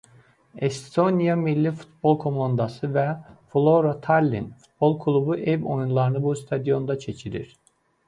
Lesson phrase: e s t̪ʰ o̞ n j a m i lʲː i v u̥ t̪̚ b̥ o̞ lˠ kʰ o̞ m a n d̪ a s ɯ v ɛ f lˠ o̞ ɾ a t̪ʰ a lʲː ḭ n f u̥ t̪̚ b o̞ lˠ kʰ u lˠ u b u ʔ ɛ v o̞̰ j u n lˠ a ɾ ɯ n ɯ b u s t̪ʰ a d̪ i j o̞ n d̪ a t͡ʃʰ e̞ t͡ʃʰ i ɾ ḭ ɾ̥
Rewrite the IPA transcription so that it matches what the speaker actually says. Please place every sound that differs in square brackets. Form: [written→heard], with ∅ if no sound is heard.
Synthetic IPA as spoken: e s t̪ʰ o̞ n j a m i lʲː i [v→f] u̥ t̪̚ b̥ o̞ lˠ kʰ o̞ m a n d̪ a s ɯ v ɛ f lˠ o̞ ɾ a t̪ʰ a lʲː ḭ n f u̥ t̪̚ b o̞ lˠ kʰ u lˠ u b u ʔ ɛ v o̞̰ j u n lˠ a ɾ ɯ n ɯ b u s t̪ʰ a d̪ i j o̞ n d̪ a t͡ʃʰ e̞ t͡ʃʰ i ɾ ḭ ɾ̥

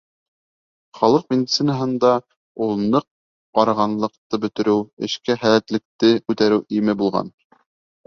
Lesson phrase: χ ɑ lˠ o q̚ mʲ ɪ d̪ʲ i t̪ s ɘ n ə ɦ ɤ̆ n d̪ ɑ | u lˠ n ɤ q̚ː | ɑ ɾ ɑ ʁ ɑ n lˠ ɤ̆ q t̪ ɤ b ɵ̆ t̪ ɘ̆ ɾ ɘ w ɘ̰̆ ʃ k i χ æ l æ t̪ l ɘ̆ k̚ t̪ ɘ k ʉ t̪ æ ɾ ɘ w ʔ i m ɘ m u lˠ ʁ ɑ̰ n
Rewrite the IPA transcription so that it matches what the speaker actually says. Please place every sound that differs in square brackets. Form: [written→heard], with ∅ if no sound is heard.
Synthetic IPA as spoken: χ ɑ lˠ [o→ɤ] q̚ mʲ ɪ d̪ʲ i t̪ s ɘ n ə ɦ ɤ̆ n d̪ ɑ | u lˠ n ɤ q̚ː | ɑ ɾ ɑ ʁ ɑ n lˠ ɤ̆ q t̪ ɤ b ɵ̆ t̪ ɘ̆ ɾ ɘ w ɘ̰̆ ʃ k [i→æ] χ æ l æ t̪ l ɘ̆ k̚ t̪ ɘ k ʉ t̪ æ ɾ ɘ w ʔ i m ɘ [m→b] u lˠ ʁ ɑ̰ n

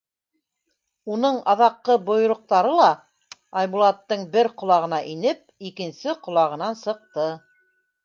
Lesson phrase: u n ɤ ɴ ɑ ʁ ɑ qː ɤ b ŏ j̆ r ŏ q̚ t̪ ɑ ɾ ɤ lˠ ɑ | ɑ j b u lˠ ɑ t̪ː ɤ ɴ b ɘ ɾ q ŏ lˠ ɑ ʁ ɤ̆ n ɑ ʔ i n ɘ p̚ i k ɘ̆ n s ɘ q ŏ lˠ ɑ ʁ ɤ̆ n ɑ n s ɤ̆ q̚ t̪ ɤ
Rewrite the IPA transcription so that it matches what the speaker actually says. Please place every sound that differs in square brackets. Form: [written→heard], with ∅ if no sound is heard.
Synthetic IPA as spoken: u n ɤ ɴ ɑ [ʁ→ð] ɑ qː ɤ b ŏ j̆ [r→ɾ] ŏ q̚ t̪ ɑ ɾ ɤ lˠ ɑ | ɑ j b u lˠ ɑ t̪ː ɤ ɴ b ɘ ɾ q ŏ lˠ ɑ ʁ ɤ̆ n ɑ ʔ i n ɘ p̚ i k ɘ̆ n s ɘ q ŏ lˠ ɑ ʁ ɤ̆ n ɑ n s ɤ̆ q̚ t̪ ɤ

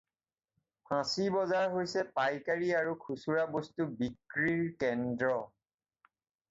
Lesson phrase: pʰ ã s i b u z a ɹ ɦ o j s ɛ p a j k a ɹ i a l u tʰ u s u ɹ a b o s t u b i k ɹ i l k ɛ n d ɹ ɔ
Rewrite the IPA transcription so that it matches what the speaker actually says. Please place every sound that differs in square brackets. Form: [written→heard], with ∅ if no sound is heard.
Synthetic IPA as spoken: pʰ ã s i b [u→ɔ] z a ɹ ɦ o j s ɛ p a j k a ɹ i a [l→ɹ] u [tʰ→kʰ] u s u ɹ a b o s t u b i k ɹ i [l→ɹ] k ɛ n d ɹ ɔ

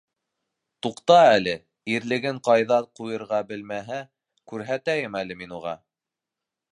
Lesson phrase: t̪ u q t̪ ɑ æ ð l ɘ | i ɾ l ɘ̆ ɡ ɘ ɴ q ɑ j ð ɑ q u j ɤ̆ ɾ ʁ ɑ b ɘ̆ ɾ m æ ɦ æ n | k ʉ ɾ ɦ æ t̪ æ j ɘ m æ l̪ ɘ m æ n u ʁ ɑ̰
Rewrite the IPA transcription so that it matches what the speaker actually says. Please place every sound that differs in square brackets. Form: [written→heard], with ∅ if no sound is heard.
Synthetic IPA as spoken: t̪ u q t̪ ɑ æ [ð→∅] l ɘ | i ɾ l ɘ̆ ɡ ɘ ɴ q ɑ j ð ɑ q u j ɤ̆ ɾ ʁ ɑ b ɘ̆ [ɾ→l] m æ ɦ æ [n→∅] | k ʉ ɾ ɦ æ t̪ æ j ɘ m æ l̪ ɘ m [æ→i] n u ʁ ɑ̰

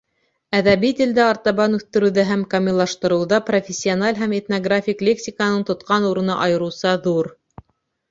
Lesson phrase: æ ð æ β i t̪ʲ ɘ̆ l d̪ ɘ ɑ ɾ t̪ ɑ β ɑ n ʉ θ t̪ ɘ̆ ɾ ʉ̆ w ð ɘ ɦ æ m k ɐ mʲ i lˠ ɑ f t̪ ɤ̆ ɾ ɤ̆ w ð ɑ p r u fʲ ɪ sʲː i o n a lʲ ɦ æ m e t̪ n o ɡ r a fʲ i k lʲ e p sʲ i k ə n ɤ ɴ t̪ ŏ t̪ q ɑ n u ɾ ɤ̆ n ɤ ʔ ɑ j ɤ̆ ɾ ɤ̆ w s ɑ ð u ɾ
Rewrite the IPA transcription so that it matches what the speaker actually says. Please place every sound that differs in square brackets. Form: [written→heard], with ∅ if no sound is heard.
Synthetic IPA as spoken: æ ð æ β i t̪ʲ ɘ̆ l d̪ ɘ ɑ ɾ t̪ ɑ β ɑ n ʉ θ t̪ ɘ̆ ɾ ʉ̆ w ð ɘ ɦ æ m k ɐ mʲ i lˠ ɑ [f→ʃ] t̪ ɤ̆ ɾ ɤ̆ w ð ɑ p r [u→o] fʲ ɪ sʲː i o n a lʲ ɦ æ m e t̪ n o ɡ r a fʲ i k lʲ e [p→k] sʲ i k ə n ɤ ɴ t̪ ŏ t̪ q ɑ n u ɾ ɤ̆ n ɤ ʔ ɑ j ɤ̆ ɾ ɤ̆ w s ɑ ð u ɾ

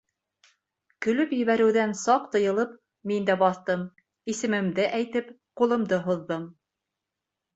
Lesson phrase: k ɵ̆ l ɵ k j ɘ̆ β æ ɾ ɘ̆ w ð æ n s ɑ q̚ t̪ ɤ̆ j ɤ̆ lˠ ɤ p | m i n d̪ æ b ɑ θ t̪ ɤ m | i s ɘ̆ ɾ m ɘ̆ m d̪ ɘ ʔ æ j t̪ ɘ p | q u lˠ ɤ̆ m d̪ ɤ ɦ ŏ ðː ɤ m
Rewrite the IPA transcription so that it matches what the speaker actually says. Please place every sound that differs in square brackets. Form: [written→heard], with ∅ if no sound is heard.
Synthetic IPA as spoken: k ɵ̆ l ɵ [k→p] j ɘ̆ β æ ɾ ɘ̆ w ð æ n s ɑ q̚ t̪ ɤ̆ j ɤ̆ lˠ ɤ p | m i n d̪ æ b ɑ θ t̪ ɤ m | i s ɘ̆ [ɾ→∅] m ɘ̆ m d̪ ɘ ʔ æ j t̪ ɘ p | q u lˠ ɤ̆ m d̪ ɤ ɦ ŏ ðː ɤ m

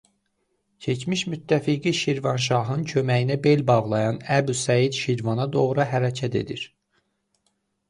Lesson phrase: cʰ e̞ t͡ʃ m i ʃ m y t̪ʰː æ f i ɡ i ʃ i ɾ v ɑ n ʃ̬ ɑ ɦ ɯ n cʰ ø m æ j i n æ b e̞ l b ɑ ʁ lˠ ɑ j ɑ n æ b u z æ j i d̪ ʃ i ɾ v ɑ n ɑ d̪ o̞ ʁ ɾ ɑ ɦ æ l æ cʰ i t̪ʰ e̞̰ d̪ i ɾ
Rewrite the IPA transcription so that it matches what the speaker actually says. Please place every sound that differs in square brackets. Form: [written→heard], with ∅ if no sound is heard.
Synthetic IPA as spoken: cʰ e̞ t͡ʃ m i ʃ m y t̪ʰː æ f i ɡ i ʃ i ɾ v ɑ n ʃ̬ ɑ ɦ ɯ n cʰ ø m æ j i n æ b e̞ l b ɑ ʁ lˠ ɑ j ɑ n æ b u [z→s] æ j i d̪ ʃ i ɾ v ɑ n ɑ d̪ o̞ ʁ ɾ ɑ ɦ æ [l→ɾ] æ cʰ [i→æ] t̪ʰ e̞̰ d̪ i ɾ

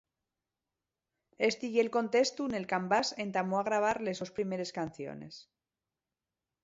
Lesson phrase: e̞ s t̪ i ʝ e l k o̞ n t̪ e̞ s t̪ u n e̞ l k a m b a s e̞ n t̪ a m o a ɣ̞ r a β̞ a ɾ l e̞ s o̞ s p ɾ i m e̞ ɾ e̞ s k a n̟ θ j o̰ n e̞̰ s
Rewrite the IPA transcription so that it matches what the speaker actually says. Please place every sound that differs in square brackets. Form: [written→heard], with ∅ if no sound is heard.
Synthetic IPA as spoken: e̞ s t̪ i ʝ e l k o̞ n t̪ e̞ s t̪ u n e̞ l k a m b a s e̞ n t̪ a m o a ɣ̞ [r→ɾ] a β̞ a ɾ l e̞ s o̞ s p ɾ i m e̞ ɾ e̞ s k a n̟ θ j o̰ n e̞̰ s

